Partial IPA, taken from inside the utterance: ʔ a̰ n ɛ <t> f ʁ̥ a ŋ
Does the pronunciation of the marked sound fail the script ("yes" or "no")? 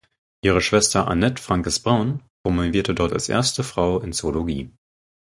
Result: no